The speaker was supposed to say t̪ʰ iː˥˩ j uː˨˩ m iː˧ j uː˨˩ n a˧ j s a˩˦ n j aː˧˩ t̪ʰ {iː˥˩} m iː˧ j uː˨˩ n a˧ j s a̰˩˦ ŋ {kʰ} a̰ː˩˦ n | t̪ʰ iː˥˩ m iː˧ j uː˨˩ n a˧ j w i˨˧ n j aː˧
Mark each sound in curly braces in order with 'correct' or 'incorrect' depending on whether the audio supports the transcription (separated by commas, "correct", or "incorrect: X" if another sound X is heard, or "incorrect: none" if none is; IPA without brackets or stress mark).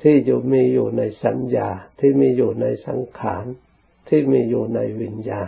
correct, correct